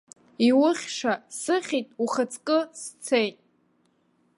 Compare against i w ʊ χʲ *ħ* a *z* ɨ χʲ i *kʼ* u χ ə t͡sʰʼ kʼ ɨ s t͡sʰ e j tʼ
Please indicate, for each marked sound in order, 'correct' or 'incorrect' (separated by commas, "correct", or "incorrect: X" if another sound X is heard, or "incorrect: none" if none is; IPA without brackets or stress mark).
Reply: incorrect: ʂ, incorrect: s, incorrect: tʼ